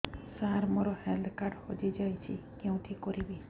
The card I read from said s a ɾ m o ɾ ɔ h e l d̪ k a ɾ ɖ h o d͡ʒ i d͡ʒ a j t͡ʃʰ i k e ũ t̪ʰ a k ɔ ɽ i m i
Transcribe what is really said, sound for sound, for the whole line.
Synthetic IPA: s a ɾ m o ɾ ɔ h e l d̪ k a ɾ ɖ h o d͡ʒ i d͡ʒ a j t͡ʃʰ i k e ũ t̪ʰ i k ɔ ɾ i b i